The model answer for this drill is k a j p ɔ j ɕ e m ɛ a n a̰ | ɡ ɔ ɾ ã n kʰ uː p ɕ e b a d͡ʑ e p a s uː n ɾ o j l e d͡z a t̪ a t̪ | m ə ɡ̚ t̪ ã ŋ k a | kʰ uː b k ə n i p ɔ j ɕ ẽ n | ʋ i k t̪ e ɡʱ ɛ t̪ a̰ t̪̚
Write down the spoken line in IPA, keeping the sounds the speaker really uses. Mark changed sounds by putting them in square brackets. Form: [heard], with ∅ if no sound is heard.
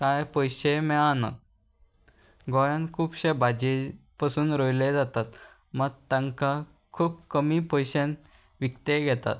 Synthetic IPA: k a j p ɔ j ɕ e m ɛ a n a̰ | ɡ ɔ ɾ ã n kʰ uː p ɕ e b a d͡ʑ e p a s uː n ɾ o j l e d͡z a t̪ a t̪ | m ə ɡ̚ t̪ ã ŋ k a | kʰ uː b k ə [m] i p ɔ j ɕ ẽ n | ʋ i k t̪ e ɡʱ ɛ t̪ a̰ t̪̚